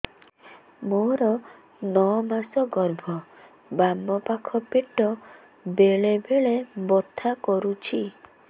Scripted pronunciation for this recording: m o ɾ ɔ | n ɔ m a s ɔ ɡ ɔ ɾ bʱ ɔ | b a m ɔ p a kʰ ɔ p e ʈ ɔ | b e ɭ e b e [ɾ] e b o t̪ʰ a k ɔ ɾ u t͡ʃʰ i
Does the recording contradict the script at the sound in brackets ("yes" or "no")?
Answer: yes